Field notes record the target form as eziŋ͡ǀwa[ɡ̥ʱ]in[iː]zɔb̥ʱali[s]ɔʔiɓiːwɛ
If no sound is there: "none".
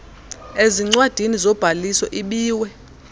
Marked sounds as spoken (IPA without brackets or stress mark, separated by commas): d̥ʱ, i, s